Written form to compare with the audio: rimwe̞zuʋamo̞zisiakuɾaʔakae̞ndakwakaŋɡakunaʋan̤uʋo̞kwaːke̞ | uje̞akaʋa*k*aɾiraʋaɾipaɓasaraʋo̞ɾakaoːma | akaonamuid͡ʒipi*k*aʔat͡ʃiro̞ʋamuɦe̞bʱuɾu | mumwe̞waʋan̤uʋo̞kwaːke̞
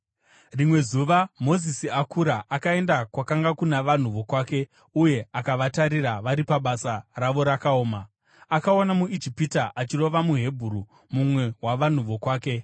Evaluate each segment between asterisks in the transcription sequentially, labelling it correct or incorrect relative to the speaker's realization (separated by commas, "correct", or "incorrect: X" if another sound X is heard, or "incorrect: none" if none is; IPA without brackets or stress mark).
incorrect: t, incorrect: t